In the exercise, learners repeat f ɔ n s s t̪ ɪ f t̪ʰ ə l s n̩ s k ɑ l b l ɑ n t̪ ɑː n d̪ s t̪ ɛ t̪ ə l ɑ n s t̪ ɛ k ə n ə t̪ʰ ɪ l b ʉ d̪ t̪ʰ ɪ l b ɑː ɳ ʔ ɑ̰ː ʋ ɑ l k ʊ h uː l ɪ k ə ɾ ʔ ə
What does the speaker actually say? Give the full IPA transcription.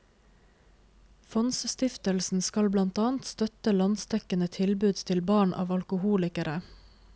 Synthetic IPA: f ɔ n s s t̪ ɪ f t̪ ə l s n̩ s k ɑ l b l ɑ n t̪ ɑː n t̪ s t̪ œ t̪ ə l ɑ n s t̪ ɛ k ə n ə t̪ʰ ɪ l b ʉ d̪ t̪ʰ ɪ l b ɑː ɳ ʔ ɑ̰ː ʋ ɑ l k ʊ h uː l ɪ k ə ɾ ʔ ə